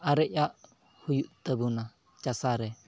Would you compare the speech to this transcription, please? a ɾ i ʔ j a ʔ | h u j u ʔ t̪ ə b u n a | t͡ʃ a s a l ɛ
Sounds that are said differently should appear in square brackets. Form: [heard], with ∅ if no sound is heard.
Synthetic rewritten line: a ɾ [ɛ] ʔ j a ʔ | h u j u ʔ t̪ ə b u n a | t͡ʃ a s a [ɾ] ɛ